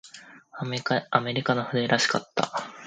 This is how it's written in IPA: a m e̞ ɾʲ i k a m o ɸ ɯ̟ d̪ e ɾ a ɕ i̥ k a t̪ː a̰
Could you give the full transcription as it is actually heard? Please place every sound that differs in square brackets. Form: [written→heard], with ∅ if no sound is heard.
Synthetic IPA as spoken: a m e̞ ɾʲ i k a [m→n] o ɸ ɯ̟ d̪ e ɾ a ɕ i̥ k a t̪ː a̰